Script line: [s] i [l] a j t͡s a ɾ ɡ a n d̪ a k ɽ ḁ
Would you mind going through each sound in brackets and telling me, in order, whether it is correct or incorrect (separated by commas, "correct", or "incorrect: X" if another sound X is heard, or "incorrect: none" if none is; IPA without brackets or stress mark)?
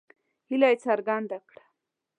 incorrect: h, correct